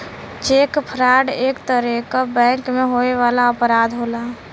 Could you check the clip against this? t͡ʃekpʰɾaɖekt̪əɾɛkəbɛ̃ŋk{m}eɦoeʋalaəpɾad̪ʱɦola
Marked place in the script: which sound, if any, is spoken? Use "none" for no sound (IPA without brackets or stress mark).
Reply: m